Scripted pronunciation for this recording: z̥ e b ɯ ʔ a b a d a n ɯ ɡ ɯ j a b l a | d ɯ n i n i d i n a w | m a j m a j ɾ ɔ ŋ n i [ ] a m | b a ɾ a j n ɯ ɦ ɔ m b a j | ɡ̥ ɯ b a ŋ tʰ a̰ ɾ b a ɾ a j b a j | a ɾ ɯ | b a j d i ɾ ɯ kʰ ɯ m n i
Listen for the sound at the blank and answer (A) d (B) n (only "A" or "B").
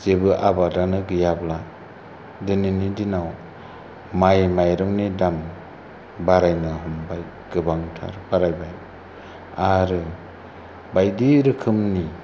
A